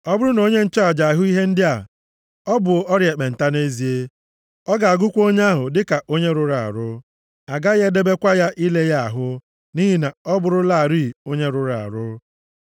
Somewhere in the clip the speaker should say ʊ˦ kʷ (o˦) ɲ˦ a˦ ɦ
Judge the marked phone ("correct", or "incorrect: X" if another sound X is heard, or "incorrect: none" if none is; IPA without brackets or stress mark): correct